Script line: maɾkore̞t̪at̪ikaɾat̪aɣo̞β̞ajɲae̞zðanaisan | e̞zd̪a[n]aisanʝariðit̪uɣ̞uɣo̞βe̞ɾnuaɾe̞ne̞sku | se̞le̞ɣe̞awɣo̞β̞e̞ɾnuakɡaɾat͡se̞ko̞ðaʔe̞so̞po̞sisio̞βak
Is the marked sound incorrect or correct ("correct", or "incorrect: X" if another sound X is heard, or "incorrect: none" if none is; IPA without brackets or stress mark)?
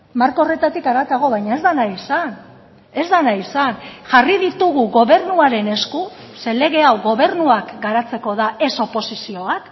correct